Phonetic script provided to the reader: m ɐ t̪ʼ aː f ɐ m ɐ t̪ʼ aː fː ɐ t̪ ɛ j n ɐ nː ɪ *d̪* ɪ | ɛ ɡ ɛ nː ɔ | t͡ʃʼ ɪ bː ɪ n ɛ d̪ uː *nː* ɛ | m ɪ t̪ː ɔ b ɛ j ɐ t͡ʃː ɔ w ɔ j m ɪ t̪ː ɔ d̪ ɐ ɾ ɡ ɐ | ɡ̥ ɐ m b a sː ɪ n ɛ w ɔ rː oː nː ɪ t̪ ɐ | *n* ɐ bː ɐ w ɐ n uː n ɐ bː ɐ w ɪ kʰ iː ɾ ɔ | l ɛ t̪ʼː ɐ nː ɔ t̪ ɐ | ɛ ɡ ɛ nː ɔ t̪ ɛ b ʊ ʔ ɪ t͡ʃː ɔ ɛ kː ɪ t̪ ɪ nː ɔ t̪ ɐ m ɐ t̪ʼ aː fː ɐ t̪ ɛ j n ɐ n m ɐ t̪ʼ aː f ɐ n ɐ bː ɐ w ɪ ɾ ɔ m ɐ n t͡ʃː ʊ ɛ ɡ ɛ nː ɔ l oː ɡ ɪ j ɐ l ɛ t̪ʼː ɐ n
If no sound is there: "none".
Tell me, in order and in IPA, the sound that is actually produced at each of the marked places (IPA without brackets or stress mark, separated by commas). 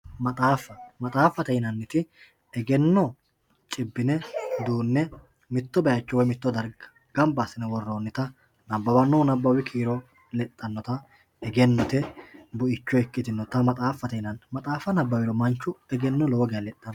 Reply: t̪, nː, n